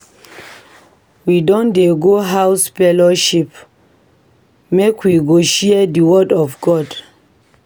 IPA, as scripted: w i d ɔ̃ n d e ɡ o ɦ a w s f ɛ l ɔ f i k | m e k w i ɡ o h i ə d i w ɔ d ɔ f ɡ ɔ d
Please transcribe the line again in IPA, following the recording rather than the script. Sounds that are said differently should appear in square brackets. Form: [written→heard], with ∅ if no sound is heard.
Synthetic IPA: w i d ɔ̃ n d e ɡ o ɦ a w s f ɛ l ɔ [f→ʃ] i [k→p] | m e k w i ɡ o [h→ʃ] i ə d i w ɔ d ɔ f ɡ ɔ d